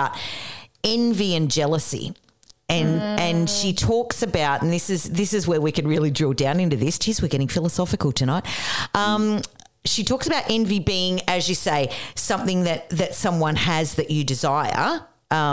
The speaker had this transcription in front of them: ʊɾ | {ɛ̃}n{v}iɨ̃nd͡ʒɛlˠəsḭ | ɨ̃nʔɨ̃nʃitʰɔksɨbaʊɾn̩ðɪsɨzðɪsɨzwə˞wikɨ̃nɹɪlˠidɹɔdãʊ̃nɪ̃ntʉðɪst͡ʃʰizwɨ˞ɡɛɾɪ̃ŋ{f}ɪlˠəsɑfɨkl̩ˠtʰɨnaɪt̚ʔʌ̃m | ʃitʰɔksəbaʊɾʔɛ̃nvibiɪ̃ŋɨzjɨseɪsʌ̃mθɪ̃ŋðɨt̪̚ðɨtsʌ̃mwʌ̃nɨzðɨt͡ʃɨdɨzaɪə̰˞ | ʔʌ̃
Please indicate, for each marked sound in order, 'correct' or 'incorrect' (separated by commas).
correct, correct, correct